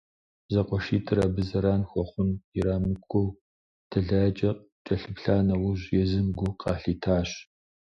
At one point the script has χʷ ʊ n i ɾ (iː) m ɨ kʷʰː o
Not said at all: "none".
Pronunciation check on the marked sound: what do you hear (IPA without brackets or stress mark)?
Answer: aː